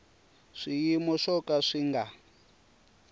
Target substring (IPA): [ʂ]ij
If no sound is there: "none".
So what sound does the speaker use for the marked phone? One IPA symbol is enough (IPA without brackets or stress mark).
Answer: ʂ